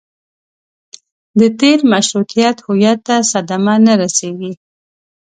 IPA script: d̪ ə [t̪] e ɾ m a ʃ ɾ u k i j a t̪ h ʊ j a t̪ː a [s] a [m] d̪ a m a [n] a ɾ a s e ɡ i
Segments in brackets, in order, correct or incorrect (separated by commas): correct, correct, incorrect, correct